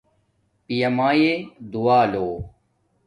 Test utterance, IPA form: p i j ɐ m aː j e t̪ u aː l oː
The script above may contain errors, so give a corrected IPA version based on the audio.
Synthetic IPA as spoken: p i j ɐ m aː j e d̪ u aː l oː